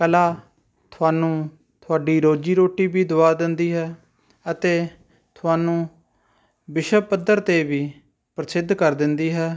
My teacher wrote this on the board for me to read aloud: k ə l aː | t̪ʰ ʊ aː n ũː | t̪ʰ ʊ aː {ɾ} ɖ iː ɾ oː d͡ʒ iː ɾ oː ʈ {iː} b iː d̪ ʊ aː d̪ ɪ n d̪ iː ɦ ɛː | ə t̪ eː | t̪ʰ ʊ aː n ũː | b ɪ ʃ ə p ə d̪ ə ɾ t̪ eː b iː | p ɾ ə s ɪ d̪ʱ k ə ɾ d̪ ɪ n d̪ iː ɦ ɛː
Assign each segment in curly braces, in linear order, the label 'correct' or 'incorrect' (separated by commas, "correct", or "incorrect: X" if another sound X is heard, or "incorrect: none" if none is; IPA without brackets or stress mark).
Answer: incorrect: none, correct